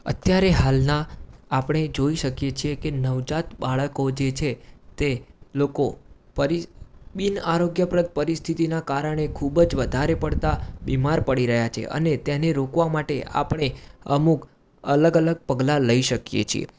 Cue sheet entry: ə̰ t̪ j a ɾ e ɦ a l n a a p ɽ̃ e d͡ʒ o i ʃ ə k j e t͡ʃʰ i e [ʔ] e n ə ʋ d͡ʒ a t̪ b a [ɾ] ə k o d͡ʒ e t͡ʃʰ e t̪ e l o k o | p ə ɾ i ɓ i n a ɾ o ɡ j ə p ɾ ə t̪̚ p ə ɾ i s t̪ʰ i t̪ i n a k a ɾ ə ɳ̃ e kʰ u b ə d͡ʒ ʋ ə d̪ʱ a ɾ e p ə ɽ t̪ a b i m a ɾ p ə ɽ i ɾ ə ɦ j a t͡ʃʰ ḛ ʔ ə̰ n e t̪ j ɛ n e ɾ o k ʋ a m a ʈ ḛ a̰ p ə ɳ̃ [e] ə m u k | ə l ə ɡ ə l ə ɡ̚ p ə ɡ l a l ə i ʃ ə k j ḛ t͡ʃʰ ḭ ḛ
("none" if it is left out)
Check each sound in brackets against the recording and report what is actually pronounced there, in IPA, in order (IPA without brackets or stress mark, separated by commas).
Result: k, ɭ, e